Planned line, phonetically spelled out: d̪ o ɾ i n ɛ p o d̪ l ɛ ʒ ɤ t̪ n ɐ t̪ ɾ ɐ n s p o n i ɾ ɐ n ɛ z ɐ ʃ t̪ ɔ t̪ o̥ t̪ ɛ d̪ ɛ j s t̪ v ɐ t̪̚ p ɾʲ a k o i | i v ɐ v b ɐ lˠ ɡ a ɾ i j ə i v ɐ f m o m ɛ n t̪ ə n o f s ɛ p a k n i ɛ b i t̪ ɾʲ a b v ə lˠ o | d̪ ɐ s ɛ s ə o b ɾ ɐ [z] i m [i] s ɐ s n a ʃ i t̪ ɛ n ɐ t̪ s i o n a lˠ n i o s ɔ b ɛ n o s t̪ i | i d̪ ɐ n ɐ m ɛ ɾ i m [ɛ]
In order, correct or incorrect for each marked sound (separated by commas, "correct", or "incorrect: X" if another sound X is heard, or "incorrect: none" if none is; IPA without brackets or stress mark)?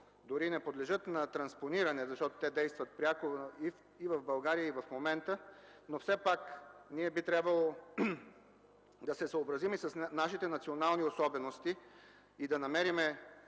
correct, correct, correct